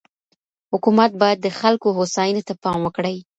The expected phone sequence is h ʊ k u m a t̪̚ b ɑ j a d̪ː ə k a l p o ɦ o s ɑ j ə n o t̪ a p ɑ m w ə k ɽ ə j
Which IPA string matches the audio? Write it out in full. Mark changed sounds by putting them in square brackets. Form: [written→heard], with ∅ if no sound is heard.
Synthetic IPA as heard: h ʊ k u m a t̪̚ b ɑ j a d̪ː ə [k→x] a l [p→k] o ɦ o s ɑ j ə n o t̪ a p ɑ m w ə k ɽ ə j